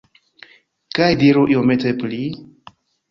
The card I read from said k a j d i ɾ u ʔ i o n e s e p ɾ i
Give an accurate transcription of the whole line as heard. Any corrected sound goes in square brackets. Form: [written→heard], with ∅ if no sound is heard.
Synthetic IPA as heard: k a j d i ɾ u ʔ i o [n→m] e [s→t] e p [ɾ→l] i